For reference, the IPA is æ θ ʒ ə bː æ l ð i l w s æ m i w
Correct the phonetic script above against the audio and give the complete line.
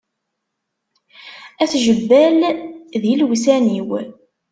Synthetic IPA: æ θ ʒ ə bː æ l ð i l w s æ n i w